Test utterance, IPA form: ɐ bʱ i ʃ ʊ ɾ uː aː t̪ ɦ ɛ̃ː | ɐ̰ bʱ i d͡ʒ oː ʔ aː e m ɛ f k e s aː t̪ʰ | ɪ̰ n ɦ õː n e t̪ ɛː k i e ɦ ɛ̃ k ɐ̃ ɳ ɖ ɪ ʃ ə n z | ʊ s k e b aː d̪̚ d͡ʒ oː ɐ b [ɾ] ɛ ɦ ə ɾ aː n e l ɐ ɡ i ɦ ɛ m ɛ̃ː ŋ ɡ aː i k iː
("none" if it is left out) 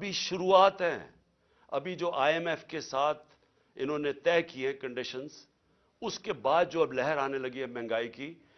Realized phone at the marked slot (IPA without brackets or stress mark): l